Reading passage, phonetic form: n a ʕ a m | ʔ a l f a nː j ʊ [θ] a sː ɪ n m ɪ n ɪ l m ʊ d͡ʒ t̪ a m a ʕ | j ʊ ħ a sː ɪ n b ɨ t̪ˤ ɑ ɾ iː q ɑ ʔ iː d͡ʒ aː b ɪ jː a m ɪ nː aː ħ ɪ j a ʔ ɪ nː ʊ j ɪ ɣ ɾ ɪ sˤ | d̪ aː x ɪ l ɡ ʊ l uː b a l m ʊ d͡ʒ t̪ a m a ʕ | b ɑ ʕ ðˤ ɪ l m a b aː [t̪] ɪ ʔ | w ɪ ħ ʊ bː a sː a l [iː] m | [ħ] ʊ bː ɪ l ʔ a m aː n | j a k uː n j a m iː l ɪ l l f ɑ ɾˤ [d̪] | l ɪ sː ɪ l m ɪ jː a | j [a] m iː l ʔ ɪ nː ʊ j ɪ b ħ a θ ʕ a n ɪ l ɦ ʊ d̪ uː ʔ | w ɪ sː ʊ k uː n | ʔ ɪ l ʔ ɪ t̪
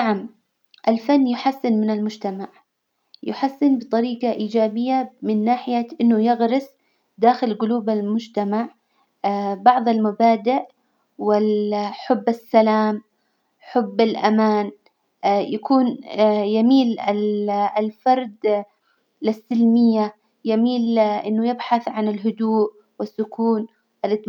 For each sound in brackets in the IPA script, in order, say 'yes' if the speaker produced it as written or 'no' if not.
no, no, no, yes, yes, yes

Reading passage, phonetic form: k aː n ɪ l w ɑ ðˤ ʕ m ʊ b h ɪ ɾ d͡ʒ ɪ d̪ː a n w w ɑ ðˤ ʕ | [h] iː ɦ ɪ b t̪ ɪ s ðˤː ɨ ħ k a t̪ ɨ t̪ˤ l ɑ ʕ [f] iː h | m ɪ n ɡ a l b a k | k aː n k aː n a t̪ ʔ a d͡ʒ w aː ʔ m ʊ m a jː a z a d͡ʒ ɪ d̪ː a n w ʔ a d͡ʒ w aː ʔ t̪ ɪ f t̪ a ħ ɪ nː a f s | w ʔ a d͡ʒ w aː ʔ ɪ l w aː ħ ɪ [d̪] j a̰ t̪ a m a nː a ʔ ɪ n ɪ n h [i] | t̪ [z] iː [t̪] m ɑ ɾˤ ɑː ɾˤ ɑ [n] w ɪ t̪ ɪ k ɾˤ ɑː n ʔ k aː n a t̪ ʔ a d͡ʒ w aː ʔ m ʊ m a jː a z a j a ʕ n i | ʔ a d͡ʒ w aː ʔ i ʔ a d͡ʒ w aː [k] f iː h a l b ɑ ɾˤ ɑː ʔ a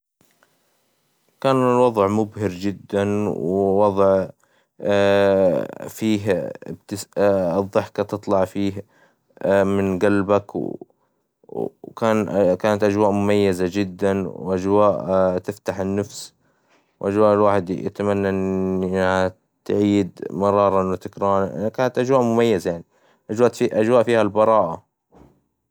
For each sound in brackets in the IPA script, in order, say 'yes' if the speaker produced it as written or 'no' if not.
no, yes, yes, no, no, no, yes, no

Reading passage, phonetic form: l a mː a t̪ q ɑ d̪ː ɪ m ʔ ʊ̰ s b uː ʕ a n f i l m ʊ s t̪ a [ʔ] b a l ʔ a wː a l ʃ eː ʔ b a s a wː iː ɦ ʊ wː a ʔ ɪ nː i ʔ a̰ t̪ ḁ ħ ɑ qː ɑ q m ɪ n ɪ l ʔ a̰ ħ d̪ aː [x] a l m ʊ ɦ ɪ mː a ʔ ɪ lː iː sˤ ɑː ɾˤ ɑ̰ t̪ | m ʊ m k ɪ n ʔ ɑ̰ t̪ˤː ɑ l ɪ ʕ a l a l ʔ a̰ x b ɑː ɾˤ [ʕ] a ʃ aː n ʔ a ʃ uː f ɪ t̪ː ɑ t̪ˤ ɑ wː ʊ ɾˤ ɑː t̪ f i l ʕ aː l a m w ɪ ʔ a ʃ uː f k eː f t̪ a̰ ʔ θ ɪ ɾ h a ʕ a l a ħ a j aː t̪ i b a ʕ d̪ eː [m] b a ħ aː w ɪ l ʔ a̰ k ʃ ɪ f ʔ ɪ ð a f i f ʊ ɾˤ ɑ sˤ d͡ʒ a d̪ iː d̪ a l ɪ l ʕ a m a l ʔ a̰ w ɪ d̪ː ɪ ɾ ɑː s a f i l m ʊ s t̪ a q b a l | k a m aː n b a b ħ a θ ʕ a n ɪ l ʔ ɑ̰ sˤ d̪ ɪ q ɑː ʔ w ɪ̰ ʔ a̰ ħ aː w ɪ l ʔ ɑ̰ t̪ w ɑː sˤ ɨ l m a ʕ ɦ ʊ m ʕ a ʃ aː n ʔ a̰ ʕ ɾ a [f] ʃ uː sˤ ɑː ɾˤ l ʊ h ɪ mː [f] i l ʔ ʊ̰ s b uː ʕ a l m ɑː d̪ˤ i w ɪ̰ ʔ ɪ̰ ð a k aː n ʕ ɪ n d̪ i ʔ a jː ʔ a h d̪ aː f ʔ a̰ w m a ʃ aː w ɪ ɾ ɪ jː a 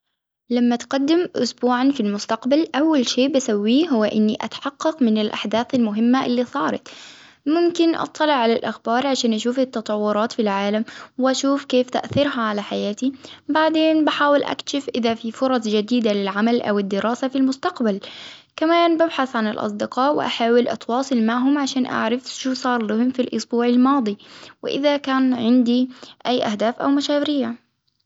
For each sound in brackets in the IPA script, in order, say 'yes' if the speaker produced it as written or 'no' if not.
no, no, yes, no, yes, yes

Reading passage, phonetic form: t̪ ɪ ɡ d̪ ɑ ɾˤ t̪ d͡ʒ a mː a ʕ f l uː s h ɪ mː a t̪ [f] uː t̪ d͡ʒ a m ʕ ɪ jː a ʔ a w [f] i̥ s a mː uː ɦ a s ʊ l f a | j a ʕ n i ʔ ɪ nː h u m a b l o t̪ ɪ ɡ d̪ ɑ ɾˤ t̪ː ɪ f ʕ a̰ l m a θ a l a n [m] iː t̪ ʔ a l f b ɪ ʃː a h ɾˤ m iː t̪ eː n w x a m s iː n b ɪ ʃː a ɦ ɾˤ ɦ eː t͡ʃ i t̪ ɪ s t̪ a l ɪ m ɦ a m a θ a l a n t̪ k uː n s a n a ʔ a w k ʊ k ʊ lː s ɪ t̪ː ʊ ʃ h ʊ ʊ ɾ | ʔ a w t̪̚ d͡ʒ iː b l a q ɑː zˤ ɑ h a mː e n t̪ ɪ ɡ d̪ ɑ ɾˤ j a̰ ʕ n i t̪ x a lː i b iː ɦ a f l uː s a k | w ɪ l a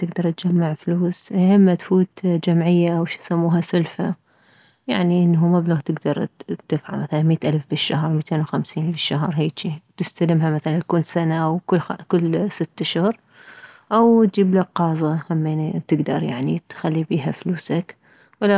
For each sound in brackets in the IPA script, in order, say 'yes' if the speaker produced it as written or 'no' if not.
yes, no, yes

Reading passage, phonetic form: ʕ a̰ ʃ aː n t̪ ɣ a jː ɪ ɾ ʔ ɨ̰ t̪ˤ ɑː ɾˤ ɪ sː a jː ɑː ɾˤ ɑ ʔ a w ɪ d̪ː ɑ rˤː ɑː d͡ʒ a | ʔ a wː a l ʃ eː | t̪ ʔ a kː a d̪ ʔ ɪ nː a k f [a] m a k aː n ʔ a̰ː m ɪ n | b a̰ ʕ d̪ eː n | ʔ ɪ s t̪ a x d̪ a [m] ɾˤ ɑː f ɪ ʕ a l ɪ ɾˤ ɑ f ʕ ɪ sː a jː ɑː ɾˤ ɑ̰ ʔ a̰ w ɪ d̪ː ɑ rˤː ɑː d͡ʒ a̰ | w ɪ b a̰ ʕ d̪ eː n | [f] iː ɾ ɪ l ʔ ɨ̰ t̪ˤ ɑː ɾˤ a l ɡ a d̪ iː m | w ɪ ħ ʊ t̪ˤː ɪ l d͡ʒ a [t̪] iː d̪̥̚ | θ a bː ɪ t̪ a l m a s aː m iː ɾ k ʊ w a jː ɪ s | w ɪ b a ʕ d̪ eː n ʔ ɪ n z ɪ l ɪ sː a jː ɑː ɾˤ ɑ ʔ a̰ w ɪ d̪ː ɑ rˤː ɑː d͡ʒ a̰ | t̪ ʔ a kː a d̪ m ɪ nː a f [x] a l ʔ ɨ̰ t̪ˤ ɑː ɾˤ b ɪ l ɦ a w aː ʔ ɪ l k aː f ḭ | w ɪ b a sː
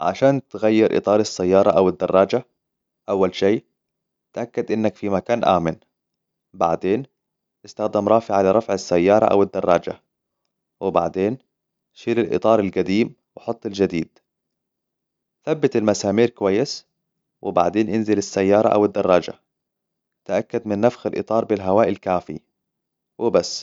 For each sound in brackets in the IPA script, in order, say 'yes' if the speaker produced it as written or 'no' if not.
no, yes, no, no, yes

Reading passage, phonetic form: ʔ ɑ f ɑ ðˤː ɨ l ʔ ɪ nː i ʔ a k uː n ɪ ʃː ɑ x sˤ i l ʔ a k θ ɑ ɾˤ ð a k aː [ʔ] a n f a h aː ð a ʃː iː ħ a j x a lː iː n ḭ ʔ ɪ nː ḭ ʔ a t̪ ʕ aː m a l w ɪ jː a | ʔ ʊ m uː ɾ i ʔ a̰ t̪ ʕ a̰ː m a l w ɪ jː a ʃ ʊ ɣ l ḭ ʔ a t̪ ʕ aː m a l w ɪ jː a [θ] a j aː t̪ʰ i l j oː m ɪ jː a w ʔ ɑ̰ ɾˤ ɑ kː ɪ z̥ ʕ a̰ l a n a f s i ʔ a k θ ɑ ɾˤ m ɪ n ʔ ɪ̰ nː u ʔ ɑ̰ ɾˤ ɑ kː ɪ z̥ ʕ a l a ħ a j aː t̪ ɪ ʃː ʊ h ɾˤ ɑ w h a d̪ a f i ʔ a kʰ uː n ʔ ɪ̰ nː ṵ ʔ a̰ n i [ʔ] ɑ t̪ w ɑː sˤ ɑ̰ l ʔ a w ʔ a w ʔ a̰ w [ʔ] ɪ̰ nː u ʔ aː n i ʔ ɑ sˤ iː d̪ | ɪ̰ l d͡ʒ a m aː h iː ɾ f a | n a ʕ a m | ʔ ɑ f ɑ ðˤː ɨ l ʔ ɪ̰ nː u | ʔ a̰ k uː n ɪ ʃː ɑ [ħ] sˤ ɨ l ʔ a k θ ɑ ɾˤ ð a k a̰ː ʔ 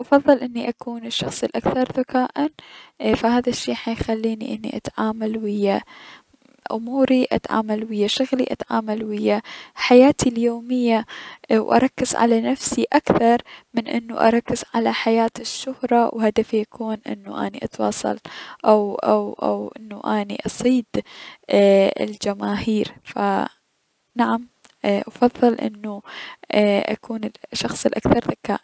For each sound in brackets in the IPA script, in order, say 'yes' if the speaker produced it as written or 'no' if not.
yes, no, yes, yes, no

